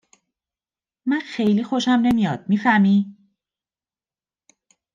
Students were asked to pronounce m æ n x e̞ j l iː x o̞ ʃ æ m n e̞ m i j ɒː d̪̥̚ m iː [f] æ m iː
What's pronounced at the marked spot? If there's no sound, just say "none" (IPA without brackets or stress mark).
f